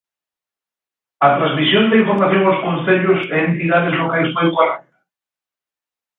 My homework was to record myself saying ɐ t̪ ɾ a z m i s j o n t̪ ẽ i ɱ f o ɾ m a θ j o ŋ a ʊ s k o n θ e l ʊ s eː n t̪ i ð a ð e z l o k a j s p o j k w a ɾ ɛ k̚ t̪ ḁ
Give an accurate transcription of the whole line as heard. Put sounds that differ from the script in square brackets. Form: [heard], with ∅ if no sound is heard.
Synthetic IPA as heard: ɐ t̪ ɾ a z m i s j o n t̪ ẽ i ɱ f o ɾ m a θ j o ŋ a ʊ s k o n θ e [ʎ] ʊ s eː n t̪ i ð a ð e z l o k a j s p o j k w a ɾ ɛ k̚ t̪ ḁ